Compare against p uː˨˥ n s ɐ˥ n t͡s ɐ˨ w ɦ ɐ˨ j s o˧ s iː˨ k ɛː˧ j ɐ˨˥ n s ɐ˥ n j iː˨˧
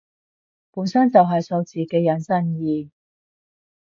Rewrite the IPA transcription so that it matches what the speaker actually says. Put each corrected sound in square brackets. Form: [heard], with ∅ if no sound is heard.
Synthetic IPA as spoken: p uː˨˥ n s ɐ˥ n t͡s ɐ˨ w ɦ ɐ˨ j s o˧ [t͡s] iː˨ k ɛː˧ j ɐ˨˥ n s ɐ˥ n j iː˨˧